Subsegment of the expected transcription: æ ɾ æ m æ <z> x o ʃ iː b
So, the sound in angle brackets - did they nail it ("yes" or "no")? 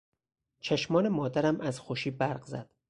yes